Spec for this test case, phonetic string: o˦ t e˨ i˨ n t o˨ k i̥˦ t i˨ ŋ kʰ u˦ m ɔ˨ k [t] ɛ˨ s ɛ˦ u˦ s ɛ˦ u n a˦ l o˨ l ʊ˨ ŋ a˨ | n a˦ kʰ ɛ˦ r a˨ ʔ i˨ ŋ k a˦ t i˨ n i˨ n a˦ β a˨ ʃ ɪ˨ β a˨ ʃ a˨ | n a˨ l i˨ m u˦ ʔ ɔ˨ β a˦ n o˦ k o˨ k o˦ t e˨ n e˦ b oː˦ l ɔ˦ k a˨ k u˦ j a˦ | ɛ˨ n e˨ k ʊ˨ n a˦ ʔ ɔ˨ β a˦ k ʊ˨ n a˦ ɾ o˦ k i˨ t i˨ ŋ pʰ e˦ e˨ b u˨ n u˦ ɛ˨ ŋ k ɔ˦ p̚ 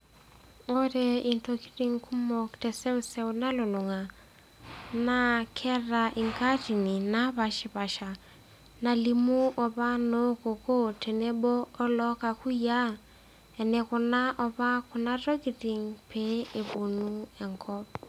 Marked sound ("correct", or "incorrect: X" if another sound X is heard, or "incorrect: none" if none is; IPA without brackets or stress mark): correct